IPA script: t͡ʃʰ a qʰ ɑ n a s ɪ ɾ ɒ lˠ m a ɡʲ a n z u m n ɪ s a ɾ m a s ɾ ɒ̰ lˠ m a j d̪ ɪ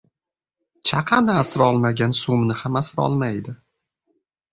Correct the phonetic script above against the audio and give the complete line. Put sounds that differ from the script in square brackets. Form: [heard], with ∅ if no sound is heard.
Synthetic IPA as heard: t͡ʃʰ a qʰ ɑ n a s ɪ ɾ ɒ lˠ m a ɡʲ a n [s] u m n ɪ [h] a [∅] m a s ɾ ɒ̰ lˠ m a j d̪ ɪ